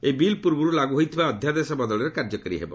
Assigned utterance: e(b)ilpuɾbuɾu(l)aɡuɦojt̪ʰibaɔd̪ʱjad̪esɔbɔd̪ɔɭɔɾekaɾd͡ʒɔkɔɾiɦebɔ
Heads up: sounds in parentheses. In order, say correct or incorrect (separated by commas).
correct, correct